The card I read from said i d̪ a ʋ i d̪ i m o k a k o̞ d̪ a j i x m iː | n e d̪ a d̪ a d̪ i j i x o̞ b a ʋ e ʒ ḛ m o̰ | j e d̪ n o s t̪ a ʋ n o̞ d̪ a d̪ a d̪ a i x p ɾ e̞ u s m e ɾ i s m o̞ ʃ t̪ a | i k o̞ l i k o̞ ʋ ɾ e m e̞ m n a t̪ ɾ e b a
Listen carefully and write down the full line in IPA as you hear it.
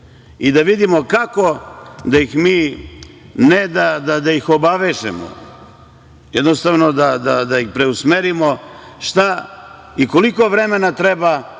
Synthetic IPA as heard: i d̪ a ʋ i d̪ i m o k a k o̞ d̪ a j i x m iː | n e d̪ a d̪ a d̪ a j i x o̞ b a ʋ e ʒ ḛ m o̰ | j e d̪ n o s t̪ a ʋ n o̞ d̪ a d̪ a d̪ a i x p ɾ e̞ u s m e ɾ i m o̞ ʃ t̪ a | i k o̞ l i k o̞ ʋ ɾ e m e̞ n a t̪ ɾ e b a